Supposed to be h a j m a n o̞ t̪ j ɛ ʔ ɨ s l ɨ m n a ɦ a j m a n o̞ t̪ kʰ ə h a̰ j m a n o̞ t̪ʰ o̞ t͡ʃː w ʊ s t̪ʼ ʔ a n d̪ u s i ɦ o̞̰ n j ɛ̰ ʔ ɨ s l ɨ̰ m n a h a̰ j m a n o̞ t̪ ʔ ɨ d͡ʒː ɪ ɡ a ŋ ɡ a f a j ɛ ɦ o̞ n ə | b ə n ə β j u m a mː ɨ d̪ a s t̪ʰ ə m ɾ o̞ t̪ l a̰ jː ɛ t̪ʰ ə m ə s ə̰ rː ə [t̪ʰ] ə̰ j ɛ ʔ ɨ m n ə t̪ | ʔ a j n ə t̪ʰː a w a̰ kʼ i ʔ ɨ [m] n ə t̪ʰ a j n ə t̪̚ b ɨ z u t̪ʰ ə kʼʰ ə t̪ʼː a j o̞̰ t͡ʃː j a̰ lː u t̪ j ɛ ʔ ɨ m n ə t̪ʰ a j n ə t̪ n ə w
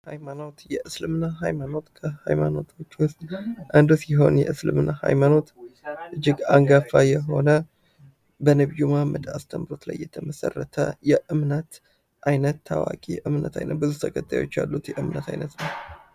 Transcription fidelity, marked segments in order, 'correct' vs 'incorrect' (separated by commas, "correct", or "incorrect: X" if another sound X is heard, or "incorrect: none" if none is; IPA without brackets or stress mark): correct, correct